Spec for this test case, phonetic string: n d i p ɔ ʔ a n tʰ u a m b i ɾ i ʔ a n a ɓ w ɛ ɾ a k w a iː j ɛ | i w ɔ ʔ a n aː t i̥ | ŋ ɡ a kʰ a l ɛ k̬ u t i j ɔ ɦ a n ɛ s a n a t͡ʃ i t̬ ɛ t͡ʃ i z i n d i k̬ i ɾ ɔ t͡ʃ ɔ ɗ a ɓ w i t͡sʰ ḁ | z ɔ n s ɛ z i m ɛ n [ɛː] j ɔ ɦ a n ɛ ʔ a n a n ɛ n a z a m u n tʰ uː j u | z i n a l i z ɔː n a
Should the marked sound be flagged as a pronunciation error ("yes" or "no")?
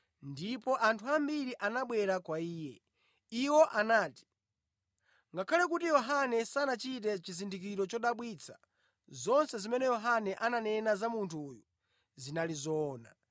yes